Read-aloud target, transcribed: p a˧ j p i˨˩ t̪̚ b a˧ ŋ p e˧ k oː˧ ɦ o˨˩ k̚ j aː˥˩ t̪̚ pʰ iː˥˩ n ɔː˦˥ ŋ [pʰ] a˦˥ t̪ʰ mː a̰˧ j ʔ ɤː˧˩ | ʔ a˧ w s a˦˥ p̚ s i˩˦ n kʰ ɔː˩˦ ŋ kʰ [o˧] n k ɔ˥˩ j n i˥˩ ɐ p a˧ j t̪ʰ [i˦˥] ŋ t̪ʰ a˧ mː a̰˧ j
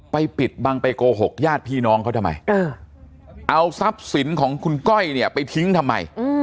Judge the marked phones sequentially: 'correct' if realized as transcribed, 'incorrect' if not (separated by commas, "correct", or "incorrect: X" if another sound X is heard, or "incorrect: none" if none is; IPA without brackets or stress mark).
incorrect: kʰ, incorrect: u˧, correct